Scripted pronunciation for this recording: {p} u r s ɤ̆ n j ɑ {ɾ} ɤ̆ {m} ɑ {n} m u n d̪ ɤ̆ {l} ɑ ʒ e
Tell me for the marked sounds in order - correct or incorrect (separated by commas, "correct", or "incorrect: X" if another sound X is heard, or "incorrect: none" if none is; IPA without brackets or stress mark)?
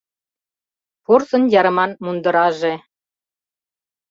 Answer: correct, correct, correct, correct, incorrect: ɾ